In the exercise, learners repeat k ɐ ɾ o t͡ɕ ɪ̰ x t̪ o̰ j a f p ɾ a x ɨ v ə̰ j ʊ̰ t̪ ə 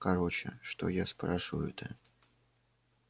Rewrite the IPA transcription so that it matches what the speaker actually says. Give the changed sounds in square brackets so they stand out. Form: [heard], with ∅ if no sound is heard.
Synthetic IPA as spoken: k ɐ ɾ o t͡ɕ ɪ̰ [ʂ] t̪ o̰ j a [s] p ɾ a [ʂ] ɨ v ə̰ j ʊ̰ t̪ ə